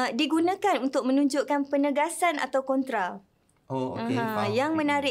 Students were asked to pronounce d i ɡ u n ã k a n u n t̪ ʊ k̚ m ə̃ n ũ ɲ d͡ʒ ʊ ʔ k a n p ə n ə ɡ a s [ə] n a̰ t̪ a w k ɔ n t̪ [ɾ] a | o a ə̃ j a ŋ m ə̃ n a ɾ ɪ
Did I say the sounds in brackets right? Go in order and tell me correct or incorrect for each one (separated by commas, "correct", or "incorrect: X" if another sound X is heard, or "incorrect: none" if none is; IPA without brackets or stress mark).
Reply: incorrect: a, correct